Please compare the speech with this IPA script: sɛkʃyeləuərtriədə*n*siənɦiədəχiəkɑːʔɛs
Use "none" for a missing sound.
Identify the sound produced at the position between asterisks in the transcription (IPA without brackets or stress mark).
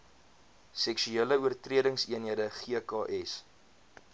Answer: ŋ